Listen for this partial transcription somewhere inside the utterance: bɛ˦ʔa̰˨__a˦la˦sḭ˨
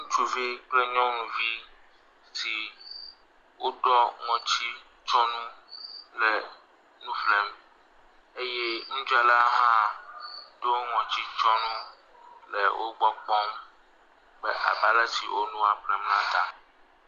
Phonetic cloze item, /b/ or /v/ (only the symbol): b